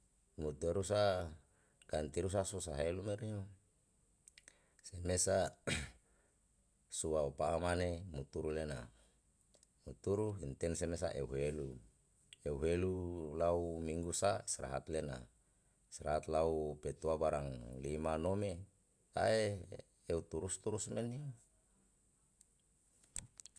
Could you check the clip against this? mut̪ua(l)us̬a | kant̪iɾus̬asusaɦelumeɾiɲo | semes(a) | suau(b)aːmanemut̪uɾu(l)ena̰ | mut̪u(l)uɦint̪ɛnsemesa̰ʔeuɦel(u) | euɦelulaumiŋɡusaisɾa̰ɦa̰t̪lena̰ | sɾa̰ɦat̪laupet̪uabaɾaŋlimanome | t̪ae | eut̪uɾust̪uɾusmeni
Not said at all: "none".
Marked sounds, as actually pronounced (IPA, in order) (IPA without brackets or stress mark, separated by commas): ɾ, a, p, l, ɾ, u